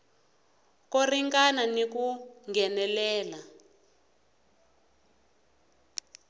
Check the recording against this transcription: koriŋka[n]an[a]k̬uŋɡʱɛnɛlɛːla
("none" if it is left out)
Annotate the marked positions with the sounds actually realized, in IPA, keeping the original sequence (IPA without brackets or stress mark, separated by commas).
n, i